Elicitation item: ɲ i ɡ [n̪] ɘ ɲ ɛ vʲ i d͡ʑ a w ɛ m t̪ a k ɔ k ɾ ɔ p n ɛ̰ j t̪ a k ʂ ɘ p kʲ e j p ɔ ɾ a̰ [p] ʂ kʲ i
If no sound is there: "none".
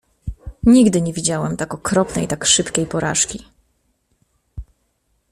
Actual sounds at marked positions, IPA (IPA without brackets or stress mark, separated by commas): d̪, none